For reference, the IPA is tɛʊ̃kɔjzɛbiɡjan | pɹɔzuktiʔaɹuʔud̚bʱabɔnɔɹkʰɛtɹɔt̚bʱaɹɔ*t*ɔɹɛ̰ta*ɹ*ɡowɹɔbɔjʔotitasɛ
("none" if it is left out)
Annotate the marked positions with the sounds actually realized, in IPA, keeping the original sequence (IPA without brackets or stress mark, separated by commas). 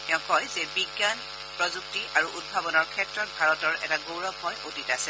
t, none